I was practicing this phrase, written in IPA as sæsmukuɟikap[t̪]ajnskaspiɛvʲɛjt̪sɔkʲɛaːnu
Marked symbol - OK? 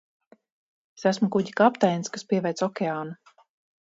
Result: yes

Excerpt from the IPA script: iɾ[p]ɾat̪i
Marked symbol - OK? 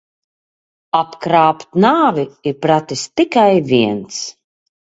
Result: yes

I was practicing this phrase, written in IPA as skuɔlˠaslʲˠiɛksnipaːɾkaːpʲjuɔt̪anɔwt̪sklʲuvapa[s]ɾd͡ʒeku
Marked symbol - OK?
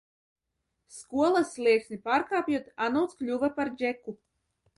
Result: no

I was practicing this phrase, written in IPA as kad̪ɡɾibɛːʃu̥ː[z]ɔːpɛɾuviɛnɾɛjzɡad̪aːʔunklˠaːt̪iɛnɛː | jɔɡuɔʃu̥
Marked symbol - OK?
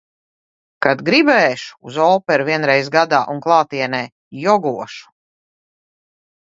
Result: yes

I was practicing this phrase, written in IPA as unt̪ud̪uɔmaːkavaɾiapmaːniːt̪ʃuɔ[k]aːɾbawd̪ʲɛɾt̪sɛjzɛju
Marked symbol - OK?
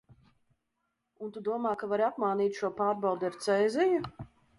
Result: no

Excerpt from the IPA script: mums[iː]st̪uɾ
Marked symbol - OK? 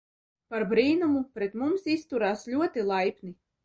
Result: no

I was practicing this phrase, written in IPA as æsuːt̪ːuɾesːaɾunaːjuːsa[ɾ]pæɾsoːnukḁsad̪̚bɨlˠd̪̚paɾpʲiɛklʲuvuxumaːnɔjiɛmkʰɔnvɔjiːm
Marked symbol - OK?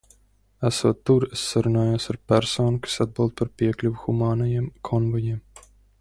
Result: yes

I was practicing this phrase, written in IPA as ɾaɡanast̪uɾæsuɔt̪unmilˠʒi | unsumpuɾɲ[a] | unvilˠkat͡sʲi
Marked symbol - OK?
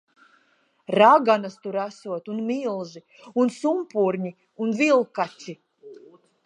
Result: no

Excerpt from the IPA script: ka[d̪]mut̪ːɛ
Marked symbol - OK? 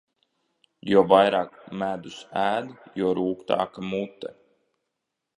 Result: no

